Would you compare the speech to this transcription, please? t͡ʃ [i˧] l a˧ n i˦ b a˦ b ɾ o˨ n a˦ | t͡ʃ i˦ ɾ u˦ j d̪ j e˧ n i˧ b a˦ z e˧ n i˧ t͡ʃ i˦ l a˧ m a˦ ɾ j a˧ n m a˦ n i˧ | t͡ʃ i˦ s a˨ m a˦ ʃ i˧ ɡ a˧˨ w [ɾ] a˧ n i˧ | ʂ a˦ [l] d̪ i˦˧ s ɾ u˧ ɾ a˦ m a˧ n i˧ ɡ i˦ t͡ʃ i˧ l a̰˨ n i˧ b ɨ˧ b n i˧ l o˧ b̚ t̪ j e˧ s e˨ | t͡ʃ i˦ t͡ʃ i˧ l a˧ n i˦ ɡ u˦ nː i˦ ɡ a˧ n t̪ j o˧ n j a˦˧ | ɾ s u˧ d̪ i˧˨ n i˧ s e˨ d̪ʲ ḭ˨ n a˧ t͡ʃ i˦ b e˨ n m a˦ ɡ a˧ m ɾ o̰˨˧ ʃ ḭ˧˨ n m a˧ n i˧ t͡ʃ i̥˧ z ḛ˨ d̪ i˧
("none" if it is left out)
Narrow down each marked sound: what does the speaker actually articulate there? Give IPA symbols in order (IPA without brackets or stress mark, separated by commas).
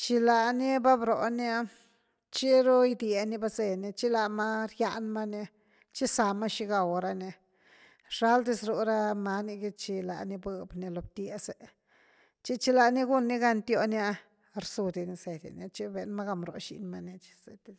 i˧, ɾ, l